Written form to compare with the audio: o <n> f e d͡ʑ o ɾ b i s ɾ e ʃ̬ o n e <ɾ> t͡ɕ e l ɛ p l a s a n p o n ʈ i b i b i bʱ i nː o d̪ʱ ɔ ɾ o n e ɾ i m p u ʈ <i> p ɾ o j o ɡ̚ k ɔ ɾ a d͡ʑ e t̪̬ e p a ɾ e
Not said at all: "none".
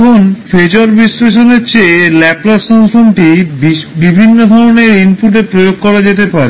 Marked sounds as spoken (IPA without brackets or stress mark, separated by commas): n, ɾ, e